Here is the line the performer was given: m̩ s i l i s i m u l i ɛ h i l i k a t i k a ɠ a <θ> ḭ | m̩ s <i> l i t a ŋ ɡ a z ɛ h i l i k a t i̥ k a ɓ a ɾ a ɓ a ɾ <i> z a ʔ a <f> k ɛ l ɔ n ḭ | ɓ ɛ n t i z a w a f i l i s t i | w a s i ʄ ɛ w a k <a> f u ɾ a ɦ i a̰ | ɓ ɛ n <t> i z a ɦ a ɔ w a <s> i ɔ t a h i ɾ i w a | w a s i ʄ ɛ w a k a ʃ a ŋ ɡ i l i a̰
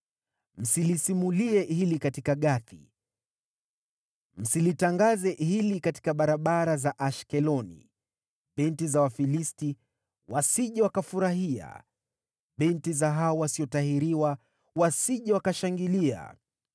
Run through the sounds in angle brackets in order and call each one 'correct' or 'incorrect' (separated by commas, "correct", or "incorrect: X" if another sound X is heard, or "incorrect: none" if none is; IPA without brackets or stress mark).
correct, correct, incorrect: a, incorrect: ʃ, correct, correct, correct